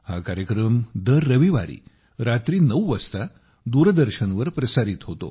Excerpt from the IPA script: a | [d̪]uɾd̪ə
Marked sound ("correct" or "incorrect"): correct